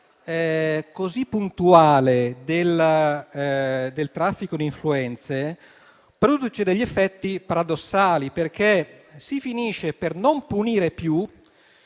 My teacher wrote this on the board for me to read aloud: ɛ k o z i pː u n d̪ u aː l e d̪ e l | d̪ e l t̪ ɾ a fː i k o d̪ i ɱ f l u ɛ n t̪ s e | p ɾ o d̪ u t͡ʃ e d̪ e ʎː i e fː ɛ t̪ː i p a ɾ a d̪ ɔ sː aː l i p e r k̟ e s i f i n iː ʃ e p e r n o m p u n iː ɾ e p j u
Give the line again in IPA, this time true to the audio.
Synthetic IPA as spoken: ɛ k o z i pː u n t̪ u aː l e d̪ e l | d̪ e l t̪ ɾ a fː i k o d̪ i ɱ f l u ɛ n t̪ s e | p ɾ o d̪ u t͡ʃ e d̪ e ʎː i e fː ɛ t̪ː i p a ɾ a d̪ o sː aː l i p e r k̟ e s i f i n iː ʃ e p e r n o m p u n iː ɾ e p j u